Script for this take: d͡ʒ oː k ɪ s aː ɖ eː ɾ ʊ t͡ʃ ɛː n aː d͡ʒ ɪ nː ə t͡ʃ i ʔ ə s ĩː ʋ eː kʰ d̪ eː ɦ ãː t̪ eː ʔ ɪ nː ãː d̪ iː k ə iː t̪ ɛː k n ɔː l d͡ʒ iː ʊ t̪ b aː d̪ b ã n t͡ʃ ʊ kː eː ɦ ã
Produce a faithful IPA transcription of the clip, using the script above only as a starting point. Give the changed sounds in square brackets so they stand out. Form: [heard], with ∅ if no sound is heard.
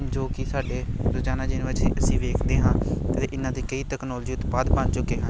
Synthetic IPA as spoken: d͡ʒ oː k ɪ s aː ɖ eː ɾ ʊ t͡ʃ [aː] n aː d͡ʒ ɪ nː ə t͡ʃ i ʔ ə s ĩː ʋ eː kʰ d̪ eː ɦ ãː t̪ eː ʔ ɪ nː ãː d̪ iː k ə iː t̪ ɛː k n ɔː l d͡ʒ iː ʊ t̪ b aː d̪ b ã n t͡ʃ ʊ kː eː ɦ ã